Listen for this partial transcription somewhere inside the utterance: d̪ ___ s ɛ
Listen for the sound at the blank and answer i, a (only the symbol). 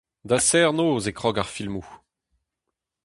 a